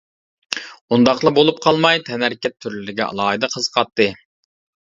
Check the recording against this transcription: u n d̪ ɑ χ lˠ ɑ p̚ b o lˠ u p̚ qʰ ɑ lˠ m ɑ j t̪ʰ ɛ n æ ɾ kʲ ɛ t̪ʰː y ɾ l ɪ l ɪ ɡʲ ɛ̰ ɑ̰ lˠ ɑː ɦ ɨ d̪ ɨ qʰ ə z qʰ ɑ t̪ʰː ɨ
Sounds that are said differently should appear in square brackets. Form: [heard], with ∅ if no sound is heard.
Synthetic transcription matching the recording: u n d̪ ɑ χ lˠ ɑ [∅] b o lˠ u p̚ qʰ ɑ lˠ m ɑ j t̪ʰ ɛ n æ ɾ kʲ ɛ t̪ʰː y ɾ l ɪ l ɪ ɡʲ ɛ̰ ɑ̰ lˠ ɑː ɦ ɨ d̪ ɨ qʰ ə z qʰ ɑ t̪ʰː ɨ